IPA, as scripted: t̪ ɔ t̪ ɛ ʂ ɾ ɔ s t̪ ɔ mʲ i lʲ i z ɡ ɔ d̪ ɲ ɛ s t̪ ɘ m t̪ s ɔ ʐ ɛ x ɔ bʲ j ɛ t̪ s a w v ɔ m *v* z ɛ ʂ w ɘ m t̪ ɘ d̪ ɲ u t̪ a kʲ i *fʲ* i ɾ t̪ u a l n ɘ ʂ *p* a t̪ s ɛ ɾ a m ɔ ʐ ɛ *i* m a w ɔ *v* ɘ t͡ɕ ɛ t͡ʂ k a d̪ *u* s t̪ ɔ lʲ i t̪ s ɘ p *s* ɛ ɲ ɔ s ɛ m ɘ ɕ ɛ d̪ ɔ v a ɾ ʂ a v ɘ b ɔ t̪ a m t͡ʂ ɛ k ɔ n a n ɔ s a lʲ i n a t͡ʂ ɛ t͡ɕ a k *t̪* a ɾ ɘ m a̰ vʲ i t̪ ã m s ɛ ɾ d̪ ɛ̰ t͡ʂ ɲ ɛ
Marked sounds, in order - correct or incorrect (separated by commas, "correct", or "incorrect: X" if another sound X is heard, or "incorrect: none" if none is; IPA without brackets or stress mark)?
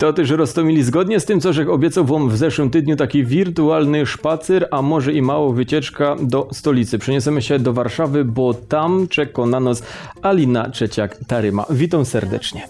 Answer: correct, incorrect: vʲ, correct, correct, correct, incorrect: ɔ, incorrect: ʂ, correct